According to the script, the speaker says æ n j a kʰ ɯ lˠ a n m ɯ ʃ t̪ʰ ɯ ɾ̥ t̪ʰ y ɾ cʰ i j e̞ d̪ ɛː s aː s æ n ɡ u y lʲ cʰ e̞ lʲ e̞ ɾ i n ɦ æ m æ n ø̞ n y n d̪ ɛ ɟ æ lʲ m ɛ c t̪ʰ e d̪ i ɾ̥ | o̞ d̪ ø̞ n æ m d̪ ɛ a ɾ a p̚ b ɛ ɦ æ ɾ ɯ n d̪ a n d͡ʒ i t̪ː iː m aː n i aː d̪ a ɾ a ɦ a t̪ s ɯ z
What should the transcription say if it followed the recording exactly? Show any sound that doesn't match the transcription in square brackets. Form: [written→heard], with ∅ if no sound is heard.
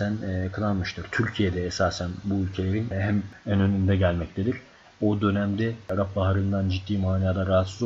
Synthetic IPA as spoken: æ n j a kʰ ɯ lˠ a n m ɯ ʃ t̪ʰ ɯ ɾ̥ t̪ʰ y ɾ cʰ i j e̞ d̪ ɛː s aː s æ n [ɡ→b] u y lʲ cʰ e̞ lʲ e̞ ɾ i n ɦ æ m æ n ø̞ n y n d̪ ɛ ɟ æ lʲ m ɛ c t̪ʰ e d̪ i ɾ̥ | o̞ d̪ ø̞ n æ m d̪ ɛ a ɾ a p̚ b [ɛ→a] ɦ [æ→a] ɾ ɯ n d̪ a n d͡ʒ i t̪ː iː m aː n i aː d̪ a ɾ a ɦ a t̪ s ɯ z